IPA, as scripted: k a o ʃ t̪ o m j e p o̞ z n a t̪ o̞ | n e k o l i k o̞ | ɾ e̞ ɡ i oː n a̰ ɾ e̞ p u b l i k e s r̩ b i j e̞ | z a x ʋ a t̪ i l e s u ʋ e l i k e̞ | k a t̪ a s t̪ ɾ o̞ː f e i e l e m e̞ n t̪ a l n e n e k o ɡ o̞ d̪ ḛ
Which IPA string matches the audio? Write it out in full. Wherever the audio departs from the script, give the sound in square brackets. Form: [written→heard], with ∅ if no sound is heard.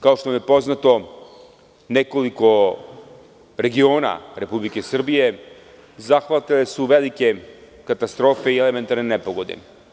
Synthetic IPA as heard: k a o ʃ t̪ o m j e p o̞ z n a t̪ o̞ | n e k o l i k o̞ | ɾ e̞ ɡ i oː n a̰ ɾ e̞ p u b l i k e s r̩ b i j e̞ | z a x ʋ a t̪ i l e s u ʋ e l i k e̞ | k a t̪ a s t̪ ɾ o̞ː f e i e l e m e̞ n t̪ a [l→ɾ] n e n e [k→p] o ɡ o̞ d̪ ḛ